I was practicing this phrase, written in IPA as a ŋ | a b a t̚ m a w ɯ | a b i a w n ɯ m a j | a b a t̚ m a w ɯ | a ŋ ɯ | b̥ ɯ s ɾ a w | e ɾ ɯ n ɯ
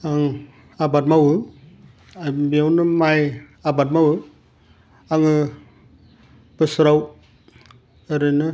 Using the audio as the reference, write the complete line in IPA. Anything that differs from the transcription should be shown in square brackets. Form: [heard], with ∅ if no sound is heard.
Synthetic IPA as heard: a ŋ | a b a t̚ m a w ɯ | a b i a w n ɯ m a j | a b a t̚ m a w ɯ | a ŋ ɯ | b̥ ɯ s ɾ a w | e ɾ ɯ n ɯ

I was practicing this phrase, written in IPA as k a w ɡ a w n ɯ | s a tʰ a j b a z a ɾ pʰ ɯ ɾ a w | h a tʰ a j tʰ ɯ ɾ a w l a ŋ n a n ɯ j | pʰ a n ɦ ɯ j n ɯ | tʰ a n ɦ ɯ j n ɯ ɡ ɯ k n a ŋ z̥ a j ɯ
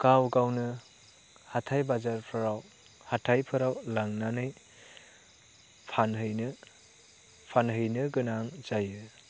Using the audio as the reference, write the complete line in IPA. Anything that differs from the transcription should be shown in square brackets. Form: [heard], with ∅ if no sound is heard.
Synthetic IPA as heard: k a w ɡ a w n ɯ | [h] a tʰ a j b a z a ɾ pʰ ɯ ɾ a w | h a tʰ a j [pʰ] ɯ ɾ a w l a ŋ n a n ɯ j | pʰ a n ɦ ɯ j n ɯ | [pʰ] a n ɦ ɯ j n ɯ ɡ ɯ [∅] n a ŋ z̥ a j ɯ

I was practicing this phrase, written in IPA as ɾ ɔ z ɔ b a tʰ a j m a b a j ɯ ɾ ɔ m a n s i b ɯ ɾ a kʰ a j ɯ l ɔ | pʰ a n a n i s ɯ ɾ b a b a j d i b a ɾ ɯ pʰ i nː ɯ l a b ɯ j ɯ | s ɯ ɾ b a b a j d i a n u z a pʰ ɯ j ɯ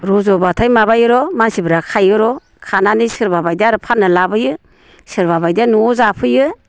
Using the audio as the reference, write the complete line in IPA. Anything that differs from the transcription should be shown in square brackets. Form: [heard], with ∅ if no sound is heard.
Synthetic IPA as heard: ɾ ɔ z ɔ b a tʰ a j m a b a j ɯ ɾ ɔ m a n s i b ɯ ɾ a kʰ a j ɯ [ɾ] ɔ | [kʰ] a n a n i s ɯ ɾ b a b a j d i [∅] a ɾ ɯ pʰ [a] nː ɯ l a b ɯ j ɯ | s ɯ ɾ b a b a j d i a n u z a pʰ ɯ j ɯ

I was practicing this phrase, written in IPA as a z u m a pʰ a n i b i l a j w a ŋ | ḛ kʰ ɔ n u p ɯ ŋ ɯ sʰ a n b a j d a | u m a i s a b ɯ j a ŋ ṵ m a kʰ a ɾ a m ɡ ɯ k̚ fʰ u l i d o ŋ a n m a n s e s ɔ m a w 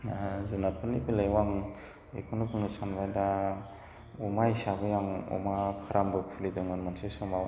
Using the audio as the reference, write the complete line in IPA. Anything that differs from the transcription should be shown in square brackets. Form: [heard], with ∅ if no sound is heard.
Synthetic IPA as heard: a z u [n] a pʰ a n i b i l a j w a ŋ | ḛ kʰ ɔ n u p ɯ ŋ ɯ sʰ a n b a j d a | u m a i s a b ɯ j a ŋ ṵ m a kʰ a ɾ a m [b] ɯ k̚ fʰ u l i d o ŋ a n m a n s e s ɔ m a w

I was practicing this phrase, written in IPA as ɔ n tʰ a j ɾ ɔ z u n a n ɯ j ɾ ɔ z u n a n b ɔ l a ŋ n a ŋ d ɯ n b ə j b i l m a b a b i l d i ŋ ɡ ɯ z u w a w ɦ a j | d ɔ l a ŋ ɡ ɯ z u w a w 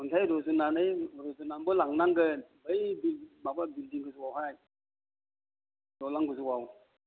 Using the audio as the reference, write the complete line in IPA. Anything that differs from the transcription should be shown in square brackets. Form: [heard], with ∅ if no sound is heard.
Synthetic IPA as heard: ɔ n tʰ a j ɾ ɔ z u n a n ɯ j ɾ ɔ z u n a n b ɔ l a ŋ n a ŋ [ɡ] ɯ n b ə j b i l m a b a b i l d i ŋ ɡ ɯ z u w a w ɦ a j | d ɔ l a ŋ ɡ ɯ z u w a w

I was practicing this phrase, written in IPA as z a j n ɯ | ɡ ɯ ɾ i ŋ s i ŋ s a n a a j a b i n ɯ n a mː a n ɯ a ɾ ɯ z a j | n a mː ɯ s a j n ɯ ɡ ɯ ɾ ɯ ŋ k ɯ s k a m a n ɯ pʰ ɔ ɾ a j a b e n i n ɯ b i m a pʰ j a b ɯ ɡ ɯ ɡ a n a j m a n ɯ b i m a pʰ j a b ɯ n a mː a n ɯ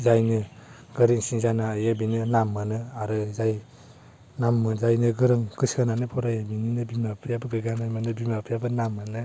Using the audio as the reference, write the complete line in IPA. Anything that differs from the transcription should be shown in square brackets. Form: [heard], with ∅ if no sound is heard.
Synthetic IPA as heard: z a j n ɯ | ɡ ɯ ɾ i ŋ s i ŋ [z] a n a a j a b i n ɯ n a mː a n ɯ a ɾ ɯ z a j | n a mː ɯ [z] a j n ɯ ɡ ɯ ɾ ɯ ŋ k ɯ s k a [n] a n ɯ pʰ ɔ ɾ a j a b [i] n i n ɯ b i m a pʰ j a b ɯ ɡ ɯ ɡ a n a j m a n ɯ b i m a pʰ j a b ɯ n a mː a n ɯ

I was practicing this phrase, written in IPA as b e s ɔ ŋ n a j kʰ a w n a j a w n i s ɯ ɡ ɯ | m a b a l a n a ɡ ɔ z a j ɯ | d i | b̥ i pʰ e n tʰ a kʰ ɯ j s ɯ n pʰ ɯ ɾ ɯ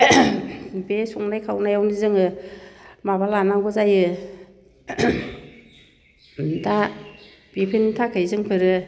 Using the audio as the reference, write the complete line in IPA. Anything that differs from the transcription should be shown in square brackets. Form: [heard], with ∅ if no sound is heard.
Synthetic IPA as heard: b e s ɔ ŋ n a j kʰ a w n a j a w n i [z] ɯ [ŋ] ɯ | m a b a l a n a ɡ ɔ z a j ɯ | d [a] | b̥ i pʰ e n tʰ a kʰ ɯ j [z] ɯ [ŋ] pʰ ɯ ɾ ɯ

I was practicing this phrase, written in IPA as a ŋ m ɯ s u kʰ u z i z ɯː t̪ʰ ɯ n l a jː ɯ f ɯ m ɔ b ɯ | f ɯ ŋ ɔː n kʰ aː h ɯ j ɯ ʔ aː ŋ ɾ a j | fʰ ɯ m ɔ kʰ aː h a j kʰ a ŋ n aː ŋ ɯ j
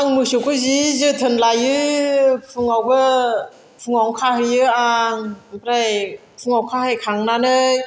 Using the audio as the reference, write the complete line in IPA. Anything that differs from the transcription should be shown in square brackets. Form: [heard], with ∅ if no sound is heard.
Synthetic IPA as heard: a ŋ m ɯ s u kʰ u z i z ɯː t̪ʰ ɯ n l a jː ɯ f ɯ [ŋ] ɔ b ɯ | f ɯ ŋ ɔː [ŋ] kʰ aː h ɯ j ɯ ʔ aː ŋ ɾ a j | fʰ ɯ [ŋ] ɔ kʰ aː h a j kʰ a ŋ n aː [n] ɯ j

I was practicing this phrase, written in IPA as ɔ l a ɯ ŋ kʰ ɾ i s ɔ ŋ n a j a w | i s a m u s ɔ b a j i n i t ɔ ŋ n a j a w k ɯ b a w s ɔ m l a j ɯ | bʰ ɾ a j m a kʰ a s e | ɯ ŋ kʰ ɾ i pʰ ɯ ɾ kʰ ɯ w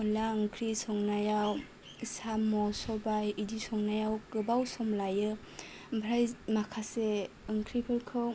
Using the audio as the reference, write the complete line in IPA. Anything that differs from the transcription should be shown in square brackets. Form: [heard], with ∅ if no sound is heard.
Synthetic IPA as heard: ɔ l a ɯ ŋ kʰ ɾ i s ɔ ŋ n a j a w | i s a m [ɔ] s ɔ b a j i [d] i [s] ɔ ŋ n a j a w k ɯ b a w s ɔ m l a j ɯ | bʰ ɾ a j m a kʰ a s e | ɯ ŋ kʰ ɾ i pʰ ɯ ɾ kʰ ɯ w

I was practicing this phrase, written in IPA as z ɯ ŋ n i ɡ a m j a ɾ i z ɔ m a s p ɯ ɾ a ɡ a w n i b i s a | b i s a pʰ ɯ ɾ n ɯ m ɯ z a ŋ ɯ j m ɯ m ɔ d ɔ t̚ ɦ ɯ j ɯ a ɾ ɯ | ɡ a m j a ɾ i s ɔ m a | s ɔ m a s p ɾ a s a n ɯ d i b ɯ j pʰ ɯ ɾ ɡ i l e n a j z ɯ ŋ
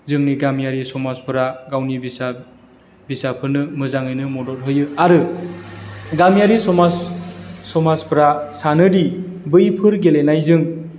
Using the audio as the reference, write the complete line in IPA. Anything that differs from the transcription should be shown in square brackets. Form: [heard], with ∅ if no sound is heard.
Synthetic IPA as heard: z ɯ ŋ n i ɡ a m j a ɾ i [s] ɔ m a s p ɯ ɾ a ɡ a w n i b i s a | b i s a pʰ ɯ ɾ n ɯ m ɯ z a ŋ ɯ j [n] ɯ m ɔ d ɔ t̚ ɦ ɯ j ɯ a ɾ ɯ | ɡ a m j a ɾ i s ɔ m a | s ɔ m a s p ɾ a s a n ɯ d i b ɯ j pʰ ɯ ɾ ɡ [e] l e n a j z ɯ ŋ

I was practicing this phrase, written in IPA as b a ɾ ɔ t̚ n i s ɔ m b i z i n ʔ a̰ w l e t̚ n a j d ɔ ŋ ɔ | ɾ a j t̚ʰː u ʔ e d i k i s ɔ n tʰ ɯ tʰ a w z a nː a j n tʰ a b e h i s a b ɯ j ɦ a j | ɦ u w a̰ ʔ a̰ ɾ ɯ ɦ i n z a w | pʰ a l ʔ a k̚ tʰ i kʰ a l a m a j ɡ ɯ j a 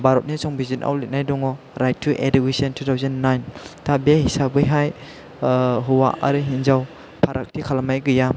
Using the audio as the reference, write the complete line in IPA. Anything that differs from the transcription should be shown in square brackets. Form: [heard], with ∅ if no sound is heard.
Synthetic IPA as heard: b a ɾ ɔ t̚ n i s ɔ [ŋ] b i z i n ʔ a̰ w l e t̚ n a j d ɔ ŋ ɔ | ɾ a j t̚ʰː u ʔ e d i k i s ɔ n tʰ [u] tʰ a w z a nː a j n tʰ a b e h i s a b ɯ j ɦ a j | ɦ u w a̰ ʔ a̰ ɾ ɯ ɦ i n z a w | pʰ a [ɾ] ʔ a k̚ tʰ i kʰ a l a m a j ɡ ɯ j a

